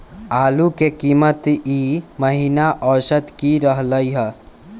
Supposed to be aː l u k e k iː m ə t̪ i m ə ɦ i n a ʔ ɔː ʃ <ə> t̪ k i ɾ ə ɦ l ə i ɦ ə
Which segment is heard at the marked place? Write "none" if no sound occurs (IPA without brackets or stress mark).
ə